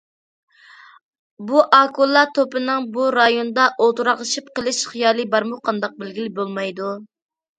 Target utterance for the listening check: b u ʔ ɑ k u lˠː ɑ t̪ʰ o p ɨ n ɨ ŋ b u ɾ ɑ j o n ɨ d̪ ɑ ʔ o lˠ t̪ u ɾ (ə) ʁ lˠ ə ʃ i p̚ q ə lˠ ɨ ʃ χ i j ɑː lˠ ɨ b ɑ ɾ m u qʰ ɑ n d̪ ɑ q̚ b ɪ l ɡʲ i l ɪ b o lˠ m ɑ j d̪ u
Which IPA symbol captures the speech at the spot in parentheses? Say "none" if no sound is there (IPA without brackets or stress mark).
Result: ɑ